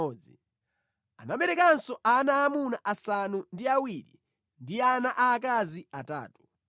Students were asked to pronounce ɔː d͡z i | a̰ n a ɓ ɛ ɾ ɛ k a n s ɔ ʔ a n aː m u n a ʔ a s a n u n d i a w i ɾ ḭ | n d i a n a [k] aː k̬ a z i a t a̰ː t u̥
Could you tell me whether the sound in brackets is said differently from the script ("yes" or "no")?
yes